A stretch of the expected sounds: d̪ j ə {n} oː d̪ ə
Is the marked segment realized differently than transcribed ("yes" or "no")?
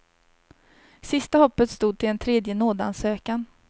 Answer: no